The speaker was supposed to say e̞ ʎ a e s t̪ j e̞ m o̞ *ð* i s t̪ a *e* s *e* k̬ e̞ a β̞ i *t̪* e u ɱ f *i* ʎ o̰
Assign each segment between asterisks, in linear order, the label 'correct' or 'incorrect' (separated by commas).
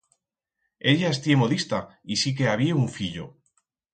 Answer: correct, incorrect, incorrect, incorrect, correct